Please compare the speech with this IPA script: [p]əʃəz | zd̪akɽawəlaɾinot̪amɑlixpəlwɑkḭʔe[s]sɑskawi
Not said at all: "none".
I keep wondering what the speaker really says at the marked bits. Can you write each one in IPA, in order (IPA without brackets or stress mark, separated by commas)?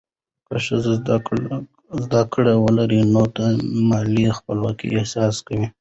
k, h